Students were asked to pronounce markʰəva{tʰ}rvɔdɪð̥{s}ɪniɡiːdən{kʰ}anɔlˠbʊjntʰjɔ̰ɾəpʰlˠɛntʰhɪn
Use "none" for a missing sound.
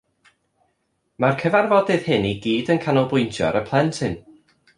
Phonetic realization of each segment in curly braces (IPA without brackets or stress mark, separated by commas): none, h, kʰ